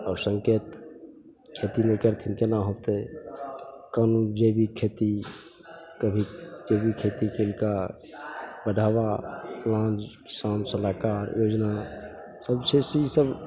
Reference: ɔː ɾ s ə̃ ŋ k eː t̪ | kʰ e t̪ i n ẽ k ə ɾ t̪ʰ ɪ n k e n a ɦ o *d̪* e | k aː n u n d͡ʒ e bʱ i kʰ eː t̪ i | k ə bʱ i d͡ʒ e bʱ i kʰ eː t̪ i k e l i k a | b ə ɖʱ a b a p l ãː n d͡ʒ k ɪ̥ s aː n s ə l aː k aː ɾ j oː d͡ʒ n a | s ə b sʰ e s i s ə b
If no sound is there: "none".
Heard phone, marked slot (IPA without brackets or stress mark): t̪